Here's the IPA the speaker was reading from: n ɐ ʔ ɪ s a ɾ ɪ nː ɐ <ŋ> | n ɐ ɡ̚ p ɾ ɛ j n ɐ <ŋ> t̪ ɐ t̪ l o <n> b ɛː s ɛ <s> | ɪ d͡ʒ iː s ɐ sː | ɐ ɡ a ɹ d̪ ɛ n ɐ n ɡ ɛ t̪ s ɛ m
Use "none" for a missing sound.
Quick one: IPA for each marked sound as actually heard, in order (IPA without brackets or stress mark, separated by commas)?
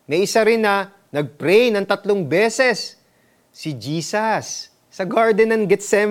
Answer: none, ŋ, ŋ, sː